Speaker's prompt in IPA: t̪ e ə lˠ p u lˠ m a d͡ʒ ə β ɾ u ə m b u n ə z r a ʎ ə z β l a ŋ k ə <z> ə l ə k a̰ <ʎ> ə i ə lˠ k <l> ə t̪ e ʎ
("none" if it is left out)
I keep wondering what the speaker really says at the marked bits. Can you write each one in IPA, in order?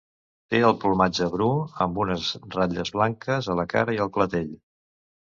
z, ɾ, l

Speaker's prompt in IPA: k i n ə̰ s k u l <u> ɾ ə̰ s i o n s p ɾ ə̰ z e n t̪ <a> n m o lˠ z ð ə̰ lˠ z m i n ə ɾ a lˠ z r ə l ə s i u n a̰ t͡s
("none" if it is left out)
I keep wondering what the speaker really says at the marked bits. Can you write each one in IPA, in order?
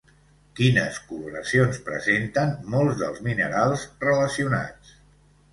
u, ə

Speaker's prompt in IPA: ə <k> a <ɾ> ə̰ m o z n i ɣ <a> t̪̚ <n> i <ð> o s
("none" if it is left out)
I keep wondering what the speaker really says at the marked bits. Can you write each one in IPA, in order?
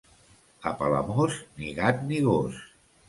p, l, a, n, ɣ

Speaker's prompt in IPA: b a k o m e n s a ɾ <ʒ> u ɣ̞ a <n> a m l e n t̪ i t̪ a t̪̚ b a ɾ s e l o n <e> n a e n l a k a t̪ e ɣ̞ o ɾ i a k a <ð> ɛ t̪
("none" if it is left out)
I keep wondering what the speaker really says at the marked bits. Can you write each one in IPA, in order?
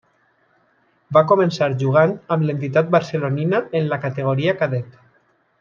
ʒ, n, i, ð

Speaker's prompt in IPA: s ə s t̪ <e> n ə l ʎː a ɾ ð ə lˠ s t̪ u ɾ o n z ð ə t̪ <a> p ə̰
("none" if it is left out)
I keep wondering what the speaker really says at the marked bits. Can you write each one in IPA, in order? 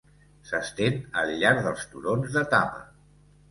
e, a

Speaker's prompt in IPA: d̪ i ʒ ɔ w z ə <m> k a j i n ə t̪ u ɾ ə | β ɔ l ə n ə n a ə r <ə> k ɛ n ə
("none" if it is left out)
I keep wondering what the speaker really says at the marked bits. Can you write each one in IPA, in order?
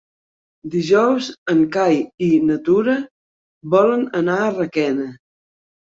ŋ, ə

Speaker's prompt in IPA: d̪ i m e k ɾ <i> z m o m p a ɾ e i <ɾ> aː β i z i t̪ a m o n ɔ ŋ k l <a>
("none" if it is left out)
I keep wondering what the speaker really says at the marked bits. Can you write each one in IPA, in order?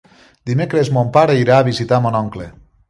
e, ɾ, e

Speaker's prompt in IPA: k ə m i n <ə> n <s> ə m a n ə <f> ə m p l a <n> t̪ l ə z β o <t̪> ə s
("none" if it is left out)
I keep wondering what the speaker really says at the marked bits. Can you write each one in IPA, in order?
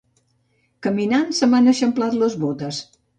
a, s, ʃ, none, t̪

